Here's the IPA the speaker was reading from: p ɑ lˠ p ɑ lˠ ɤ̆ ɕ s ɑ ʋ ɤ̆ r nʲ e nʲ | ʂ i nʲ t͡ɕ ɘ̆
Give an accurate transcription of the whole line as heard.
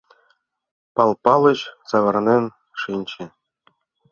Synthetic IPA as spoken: p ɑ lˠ p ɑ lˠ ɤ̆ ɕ s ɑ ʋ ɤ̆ r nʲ e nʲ | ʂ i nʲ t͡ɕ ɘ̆